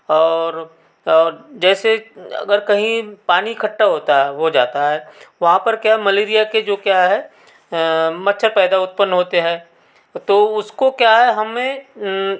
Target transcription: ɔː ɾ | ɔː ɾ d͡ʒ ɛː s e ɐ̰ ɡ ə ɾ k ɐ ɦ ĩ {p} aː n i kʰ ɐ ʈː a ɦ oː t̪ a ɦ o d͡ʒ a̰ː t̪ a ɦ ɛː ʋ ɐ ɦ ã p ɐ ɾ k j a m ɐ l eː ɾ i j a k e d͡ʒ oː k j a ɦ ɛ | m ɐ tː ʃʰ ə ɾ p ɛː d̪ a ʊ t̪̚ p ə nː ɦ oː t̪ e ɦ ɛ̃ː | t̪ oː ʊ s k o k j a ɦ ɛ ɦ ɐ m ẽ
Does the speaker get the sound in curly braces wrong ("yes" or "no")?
no